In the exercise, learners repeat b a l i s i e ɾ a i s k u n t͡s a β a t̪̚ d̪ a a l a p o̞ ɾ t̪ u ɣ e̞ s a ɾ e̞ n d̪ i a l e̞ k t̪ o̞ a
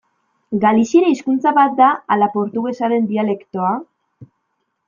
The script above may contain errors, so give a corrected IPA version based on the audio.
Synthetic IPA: ɡ a l i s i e ɾ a i s k u n t͡s a β a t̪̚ d̪ a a l a p o̞ ɾ t̪ u ɣ e̞ s a ɾ e̞ n d̪ i a l e̞ k t̪ o̞ a